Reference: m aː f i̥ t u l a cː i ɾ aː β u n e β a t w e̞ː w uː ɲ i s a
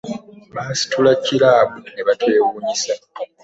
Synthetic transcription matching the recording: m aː s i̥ t u l a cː i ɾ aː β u n e β a t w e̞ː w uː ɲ i s a

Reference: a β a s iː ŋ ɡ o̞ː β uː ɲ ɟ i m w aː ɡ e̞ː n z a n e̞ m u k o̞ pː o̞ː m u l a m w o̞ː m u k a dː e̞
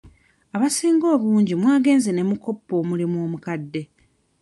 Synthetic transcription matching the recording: a β a s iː ŋ ɡ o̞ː β uː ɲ ɟ i m w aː ɡ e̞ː n z e n e̞ m u k o̞ pː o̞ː m u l i m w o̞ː m u k a dː e̞

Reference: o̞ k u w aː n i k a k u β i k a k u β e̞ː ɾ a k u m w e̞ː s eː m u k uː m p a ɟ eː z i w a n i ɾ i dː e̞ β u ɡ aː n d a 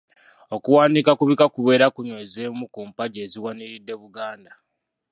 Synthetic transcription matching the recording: o̞ k u w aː n i k a k u β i k a k u β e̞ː ɾ a k u ɲ w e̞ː z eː m u k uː m p a ɟ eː z i w a n i ɾ i dː e̞ β u ɡ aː n d a

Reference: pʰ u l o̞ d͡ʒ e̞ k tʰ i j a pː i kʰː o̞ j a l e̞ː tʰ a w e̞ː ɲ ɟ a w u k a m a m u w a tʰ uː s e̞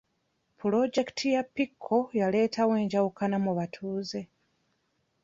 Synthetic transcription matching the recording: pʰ u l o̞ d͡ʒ e̞ k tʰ i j a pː i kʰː o̞ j a l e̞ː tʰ a w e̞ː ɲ ɟ a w u k a n a m u β a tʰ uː z e̞

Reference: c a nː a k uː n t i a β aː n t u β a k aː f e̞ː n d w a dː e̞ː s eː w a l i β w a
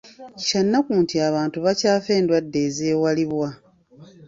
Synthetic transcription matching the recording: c a nː a k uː n t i a β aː n t u β a c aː f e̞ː n d w a dː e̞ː z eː w a l i β w a

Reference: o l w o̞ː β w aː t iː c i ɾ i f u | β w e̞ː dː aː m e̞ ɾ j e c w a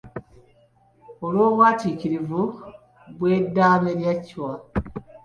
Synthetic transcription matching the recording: o l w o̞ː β w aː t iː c i ɾ i v u | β w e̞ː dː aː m e̞ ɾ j a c w a

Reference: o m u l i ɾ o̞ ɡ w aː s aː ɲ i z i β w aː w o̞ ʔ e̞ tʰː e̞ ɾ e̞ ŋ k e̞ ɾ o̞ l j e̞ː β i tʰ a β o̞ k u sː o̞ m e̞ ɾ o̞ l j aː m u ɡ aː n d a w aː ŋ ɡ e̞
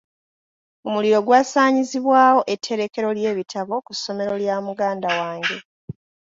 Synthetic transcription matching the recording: o m u l i ɾ o̞ ɡ w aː s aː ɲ i z i β w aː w o̞ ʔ e̞ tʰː e̞ ɾ e̞ k e̞ ɾ o̞ l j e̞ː β i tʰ a β o̞ k u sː o̞ m e̞ ɾ o̞ l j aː m u ɡ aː n d a w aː ŋ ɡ e̞

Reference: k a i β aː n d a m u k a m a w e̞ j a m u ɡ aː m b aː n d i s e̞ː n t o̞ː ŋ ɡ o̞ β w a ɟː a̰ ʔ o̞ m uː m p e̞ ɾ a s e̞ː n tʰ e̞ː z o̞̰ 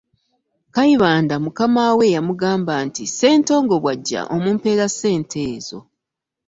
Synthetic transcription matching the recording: k a i β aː n d a m u k a m a w e̞ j a m u ɡ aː m b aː n t i s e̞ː n t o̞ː ŋ ɡ o̞ β w a ɟː a̰ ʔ o̞ m uː m p e̞ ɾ a s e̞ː n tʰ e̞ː z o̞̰

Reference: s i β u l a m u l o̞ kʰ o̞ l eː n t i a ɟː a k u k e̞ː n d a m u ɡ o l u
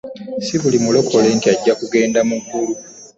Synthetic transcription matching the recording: s i β u l i m u l o̞ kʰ o̞ l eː n t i a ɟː a k u ɡ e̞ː n d a m u ɡ u l u

